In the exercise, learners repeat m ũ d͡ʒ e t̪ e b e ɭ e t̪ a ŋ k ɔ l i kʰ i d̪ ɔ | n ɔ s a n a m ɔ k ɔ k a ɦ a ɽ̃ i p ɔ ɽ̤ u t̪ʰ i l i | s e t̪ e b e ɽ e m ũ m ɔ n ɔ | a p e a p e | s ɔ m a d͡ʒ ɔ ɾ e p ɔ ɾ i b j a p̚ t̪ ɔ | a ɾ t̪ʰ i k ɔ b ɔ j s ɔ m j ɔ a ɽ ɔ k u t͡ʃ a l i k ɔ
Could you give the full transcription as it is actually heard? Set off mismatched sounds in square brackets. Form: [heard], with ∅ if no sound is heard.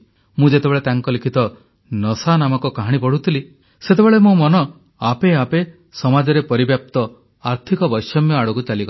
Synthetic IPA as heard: m ũ d͡ʒ e t̪ e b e ɭ e t̪ a ŋ k ɔ l i kʰ i [t̪] ɔ | n ɔ s a n a m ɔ k ɔ k a ɦ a ɽ̃ i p ɔ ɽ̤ u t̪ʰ i l i | s e t̪ e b e [ɭ] e m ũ m ɔ n ɔ | a p e a p e | s ɔ m a d͡ʒ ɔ ɾ e p ɔ ɾ i b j a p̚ t̪ ɔ | a ɾ t̪ʰ i k ɔ b ɔ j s ɔ m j ɔ a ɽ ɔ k u t͡ʃ a l i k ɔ